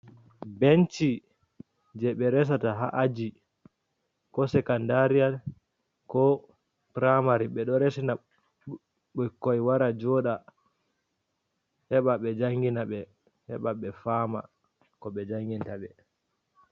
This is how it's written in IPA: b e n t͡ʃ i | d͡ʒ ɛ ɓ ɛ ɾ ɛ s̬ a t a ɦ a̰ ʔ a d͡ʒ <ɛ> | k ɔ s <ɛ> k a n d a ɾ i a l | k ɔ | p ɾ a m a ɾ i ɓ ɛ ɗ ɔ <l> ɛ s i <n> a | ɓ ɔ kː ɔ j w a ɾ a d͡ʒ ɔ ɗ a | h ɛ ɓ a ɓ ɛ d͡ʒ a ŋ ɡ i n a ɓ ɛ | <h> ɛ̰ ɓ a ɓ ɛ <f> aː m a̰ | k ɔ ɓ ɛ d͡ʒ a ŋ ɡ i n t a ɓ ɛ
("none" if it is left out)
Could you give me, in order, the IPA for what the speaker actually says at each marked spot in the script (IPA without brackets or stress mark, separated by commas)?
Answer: i, ɛ, ɾ, n, h, f